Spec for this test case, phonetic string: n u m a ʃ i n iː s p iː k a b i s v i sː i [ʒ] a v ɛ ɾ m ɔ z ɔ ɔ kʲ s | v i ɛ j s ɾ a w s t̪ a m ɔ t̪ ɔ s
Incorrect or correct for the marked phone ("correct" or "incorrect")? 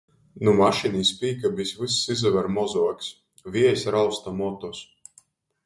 incorrect